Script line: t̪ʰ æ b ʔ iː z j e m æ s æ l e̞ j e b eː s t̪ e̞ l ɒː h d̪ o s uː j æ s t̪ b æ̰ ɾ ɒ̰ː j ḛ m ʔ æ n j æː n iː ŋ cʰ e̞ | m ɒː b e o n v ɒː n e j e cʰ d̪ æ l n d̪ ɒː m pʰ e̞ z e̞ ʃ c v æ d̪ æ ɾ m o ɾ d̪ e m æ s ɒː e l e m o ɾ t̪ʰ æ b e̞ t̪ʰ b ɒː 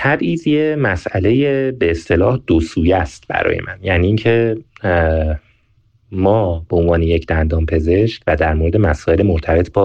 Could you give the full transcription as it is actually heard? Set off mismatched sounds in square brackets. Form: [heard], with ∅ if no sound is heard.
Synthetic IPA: t̪ʰ æ b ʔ iː z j e m æ s æ l e̞ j e b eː s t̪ e̞ l ɒː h d̪ o s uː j æ s t̪ b æ̰ ɾ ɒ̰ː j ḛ m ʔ æ n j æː n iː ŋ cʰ e̞ | m ɒː b e o n v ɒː n e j e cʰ d̪ æ [∅] n d̪ ɒː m pʰ e̞ z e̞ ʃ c v æ d̪ æ ɾ m o ɾ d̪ e m æ s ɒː e l e m o ɾ t̪ʰ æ b e̞ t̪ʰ b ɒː